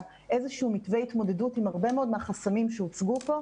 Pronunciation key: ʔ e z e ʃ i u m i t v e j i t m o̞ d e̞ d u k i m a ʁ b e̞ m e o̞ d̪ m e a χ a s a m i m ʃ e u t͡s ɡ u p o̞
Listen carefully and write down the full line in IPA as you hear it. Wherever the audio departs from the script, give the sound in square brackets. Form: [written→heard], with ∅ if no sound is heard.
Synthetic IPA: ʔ e z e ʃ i u m i t v e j i t m o̞ d e̞ d u [k→t] i m a ʁ b e̞ m e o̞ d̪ m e a χ a s a m i m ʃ e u t͡s ɡ u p o̞